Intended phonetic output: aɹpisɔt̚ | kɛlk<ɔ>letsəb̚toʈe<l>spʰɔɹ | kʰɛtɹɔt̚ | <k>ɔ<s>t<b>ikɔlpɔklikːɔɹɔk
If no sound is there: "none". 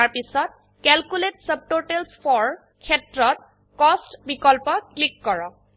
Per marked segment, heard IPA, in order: u, l, k, s, b

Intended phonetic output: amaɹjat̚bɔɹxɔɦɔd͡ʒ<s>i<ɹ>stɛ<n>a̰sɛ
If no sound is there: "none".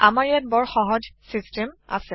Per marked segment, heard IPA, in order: s, none, m

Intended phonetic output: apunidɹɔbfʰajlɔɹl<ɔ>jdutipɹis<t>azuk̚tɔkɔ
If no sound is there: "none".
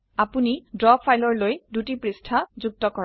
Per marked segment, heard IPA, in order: o, tʰ

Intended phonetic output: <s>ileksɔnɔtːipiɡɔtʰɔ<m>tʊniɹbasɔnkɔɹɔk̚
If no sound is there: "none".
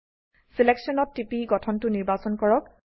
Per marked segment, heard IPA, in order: s, n

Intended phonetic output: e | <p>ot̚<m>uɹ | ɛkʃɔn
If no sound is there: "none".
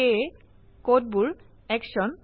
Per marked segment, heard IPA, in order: k, b

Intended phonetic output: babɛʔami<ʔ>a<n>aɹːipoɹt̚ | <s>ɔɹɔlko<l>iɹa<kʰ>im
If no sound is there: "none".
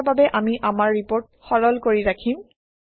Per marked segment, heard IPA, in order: ʔ, m, x, ɹ, kʰ

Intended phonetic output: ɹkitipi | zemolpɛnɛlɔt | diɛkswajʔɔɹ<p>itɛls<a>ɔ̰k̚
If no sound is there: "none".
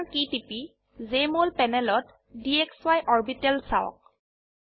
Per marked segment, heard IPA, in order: b, a

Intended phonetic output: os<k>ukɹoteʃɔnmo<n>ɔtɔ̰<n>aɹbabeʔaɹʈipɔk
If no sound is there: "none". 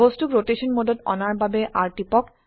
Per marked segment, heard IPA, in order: t, d, n

